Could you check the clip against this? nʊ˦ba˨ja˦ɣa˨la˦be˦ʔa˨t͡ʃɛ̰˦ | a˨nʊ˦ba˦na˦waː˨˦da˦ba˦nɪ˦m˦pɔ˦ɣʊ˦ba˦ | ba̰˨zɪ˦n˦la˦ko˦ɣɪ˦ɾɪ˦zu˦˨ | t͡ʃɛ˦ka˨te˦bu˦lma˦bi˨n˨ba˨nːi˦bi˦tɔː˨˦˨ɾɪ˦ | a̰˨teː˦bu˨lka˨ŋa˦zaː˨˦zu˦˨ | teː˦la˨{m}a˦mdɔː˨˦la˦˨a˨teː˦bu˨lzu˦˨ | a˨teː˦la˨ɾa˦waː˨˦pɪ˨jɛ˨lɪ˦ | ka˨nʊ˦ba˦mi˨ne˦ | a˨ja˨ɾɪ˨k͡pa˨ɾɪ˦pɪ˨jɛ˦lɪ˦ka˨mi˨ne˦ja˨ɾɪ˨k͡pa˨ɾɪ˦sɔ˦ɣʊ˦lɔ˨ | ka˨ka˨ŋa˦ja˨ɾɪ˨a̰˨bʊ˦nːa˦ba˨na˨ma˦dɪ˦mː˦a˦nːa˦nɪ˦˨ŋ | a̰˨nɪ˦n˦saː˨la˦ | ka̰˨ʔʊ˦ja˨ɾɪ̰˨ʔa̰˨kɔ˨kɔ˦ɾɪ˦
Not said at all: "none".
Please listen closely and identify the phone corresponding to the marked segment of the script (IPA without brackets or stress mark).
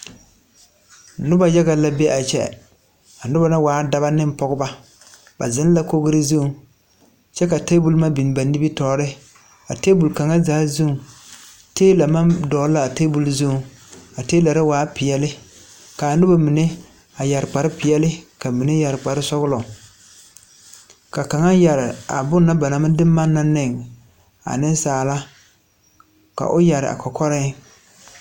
m